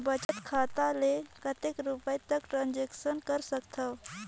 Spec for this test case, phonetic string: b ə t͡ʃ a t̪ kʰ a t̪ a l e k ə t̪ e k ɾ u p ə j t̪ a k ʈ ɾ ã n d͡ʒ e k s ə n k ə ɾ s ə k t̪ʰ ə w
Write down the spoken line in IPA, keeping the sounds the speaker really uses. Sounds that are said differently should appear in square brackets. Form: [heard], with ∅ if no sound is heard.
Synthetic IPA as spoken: b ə t͡ʃ [ə] t̪ kʰ a t̪ a l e k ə t̪ e k ɾ u p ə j t̪ [ə] k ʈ ɾ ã n d͡ʒ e k s ə n k ə ɾ s ə k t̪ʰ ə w